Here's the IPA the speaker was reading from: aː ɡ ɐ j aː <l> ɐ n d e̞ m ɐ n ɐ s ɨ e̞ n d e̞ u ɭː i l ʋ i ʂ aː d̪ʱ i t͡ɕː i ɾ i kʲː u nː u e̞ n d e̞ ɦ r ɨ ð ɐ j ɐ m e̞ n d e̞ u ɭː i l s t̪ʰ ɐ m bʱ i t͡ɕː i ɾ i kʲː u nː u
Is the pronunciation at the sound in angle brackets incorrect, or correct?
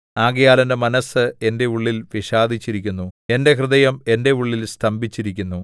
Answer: correct